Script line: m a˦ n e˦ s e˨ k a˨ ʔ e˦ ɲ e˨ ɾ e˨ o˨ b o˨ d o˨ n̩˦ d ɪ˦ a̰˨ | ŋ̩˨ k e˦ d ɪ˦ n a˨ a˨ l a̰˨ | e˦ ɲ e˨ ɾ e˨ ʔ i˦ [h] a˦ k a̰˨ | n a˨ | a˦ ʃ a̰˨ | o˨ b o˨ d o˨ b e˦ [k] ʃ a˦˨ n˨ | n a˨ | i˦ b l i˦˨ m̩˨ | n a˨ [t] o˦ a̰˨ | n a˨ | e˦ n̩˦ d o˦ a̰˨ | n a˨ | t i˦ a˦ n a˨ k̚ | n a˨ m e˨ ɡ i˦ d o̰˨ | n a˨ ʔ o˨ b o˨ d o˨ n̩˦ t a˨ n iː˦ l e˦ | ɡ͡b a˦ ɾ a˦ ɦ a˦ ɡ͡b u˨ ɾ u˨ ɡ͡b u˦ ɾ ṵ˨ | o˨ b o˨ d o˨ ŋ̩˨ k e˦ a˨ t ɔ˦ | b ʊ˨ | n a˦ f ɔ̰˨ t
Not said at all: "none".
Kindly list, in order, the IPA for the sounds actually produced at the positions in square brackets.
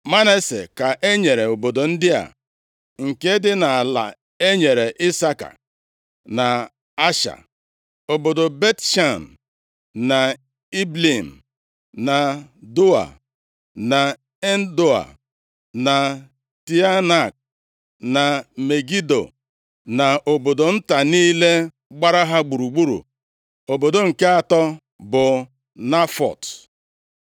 s, t, d

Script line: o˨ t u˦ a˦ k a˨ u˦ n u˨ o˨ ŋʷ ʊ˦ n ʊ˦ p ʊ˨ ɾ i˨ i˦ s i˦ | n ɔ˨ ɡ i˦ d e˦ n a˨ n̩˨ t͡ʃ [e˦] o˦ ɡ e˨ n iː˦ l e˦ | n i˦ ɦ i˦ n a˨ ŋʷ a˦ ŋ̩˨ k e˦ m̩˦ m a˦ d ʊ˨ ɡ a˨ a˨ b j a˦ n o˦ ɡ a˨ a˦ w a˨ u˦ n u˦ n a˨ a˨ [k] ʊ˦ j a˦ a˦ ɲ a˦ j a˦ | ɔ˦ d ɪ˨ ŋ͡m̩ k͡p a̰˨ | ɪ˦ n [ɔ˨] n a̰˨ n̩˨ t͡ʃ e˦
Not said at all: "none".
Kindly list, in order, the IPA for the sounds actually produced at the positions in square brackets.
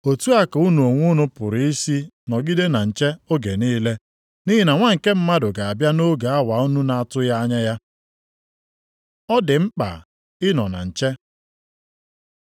e˦, t, ɔ˨

